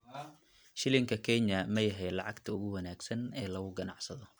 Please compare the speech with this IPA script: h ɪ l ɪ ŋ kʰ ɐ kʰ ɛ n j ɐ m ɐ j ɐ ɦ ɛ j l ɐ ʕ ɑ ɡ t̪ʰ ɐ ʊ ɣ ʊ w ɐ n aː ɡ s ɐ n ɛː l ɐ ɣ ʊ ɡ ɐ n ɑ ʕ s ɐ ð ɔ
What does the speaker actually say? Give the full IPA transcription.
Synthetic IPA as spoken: ʃ ɪ l ɪ ŋ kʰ ɐ kʰ ɛ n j ɐ m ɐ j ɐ ɦ ɛ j l ɑ ʕ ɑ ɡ t̪ʰ ɐ ʊ ɣ ʊ w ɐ n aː ɡ s ɐ n ɛː l ɐ ɣ ʊ ɡ ɐ n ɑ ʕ s ɐ ð ɔ